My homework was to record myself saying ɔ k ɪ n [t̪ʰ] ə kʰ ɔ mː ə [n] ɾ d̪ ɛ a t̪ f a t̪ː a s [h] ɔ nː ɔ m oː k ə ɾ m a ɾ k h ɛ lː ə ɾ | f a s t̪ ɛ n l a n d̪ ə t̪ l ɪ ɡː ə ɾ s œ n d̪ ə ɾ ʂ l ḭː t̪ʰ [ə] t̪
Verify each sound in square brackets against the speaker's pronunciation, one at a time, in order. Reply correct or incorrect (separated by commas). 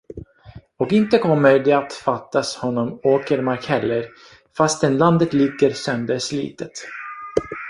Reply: incorrect, incorrect, correct, correct